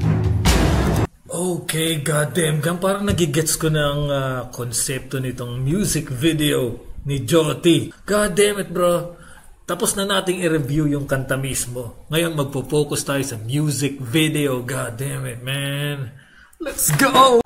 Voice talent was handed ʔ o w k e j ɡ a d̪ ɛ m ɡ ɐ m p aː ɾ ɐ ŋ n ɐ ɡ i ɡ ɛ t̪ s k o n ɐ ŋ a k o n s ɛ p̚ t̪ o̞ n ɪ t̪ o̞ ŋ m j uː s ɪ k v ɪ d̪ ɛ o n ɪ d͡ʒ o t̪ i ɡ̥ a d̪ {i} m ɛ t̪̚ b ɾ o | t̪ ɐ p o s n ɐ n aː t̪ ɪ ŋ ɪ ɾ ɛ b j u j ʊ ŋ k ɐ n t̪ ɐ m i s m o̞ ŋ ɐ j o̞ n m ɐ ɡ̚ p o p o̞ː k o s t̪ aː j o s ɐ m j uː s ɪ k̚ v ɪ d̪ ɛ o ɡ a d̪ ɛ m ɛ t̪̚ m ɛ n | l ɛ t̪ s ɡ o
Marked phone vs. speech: incorrect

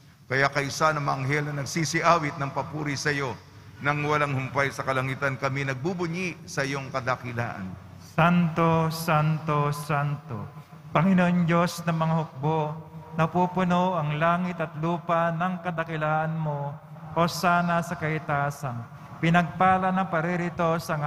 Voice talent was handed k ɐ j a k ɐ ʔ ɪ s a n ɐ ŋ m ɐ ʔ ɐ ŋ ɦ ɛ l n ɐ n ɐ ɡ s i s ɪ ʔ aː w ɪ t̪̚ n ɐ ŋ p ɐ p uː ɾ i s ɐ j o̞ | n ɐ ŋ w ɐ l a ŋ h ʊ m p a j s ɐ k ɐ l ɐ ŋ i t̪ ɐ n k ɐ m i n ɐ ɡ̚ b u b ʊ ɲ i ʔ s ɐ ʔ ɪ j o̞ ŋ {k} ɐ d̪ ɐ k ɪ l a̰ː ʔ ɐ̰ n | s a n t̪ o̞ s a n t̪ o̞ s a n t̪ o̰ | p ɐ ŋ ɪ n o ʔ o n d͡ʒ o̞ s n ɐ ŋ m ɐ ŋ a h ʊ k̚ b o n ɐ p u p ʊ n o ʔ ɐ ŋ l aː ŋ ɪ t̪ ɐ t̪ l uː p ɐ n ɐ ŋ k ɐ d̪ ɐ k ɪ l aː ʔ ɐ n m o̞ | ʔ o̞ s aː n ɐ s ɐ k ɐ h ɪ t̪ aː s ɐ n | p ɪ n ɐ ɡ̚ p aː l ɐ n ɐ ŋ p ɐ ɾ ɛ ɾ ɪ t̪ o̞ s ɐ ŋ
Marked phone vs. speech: correct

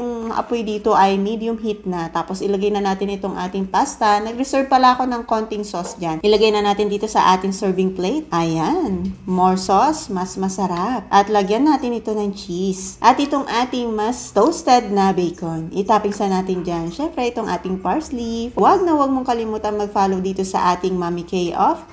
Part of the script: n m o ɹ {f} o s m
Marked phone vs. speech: incorrect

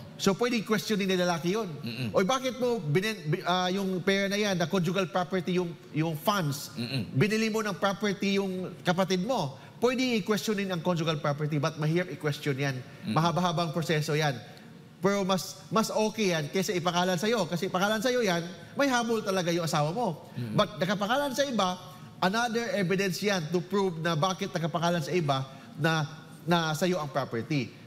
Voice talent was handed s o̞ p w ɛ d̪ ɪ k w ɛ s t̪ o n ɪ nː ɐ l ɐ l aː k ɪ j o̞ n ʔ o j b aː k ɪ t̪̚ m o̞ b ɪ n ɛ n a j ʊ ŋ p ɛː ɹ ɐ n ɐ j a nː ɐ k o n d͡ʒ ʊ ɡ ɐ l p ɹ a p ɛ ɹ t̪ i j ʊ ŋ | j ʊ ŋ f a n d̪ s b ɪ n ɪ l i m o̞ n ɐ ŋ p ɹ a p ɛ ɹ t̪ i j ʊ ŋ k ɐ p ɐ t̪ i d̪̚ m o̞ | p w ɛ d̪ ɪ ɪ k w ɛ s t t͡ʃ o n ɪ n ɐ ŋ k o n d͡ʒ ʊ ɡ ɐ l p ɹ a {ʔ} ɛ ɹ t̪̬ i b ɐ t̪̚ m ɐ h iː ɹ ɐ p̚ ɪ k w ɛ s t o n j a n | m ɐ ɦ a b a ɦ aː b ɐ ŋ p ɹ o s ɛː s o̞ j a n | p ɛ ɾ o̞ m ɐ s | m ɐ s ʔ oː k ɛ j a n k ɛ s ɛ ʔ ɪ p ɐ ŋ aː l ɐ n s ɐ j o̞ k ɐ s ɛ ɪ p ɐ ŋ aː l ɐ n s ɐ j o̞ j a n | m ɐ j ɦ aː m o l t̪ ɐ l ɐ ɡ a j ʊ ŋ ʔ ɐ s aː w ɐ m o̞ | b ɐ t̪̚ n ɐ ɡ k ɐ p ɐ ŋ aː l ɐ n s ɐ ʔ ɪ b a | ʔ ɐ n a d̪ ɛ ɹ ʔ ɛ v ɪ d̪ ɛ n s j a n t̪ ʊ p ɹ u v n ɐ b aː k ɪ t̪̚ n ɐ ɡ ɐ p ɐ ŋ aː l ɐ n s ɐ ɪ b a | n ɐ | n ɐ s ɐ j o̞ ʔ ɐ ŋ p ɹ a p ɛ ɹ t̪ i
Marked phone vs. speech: incorrect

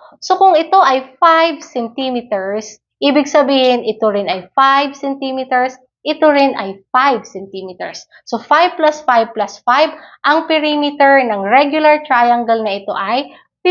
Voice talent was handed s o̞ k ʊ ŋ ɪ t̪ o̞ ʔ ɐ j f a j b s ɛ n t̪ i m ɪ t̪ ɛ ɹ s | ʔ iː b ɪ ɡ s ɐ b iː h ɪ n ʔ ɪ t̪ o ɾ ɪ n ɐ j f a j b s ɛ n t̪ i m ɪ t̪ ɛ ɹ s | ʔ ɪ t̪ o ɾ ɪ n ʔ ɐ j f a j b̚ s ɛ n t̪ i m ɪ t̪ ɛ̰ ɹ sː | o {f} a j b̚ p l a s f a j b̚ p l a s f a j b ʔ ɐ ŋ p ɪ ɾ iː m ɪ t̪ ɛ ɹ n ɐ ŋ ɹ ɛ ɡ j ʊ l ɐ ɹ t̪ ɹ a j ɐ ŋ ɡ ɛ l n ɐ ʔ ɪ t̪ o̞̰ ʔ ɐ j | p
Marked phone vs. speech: correct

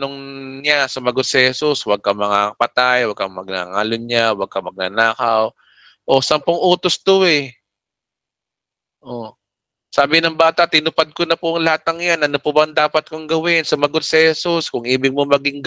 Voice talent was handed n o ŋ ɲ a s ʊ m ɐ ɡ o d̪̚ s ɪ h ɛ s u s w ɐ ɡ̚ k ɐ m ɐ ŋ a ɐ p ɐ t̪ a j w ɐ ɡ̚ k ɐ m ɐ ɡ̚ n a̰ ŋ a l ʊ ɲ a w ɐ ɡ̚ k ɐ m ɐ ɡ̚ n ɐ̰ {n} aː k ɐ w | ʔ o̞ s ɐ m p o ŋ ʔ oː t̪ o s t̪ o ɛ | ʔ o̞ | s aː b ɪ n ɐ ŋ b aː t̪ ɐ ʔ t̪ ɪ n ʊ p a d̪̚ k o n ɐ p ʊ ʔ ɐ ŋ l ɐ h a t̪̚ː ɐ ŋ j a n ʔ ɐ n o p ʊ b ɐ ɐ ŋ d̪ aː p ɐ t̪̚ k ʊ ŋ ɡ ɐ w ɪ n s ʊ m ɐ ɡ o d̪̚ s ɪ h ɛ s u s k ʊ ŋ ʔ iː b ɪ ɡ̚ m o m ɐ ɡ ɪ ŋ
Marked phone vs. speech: correct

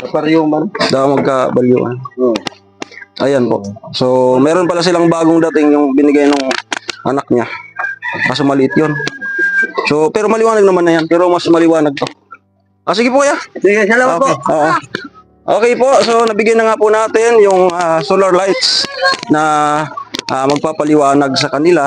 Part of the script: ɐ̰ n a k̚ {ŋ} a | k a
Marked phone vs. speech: incorrect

